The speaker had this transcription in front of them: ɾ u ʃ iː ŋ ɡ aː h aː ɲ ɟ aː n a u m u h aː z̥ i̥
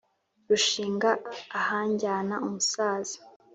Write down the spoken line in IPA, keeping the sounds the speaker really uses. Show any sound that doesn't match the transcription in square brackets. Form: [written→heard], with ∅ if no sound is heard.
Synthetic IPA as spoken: ɾ u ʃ iː ŋ ɡ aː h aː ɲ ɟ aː n a u m u [h→s] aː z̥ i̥